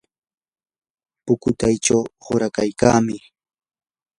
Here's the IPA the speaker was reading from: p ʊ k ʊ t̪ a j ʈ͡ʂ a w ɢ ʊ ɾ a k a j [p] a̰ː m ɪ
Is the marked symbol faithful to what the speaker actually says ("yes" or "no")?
no